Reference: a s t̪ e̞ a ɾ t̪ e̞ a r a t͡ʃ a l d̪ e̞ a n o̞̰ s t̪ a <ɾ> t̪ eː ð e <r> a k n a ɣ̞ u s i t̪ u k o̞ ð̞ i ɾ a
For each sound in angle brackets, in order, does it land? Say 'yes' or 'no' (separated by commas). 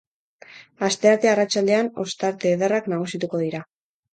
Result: yes, yes